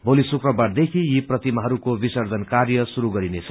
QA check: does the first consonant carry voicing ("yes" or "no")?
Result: yes